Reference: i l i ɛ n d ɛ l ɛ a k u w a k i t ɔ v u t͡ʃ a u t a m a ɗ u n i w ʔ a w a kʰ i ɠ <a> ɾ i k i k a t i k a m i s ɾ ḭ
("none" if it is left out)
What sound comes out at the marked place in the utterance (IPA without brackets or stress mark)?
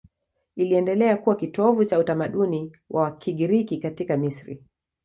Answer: i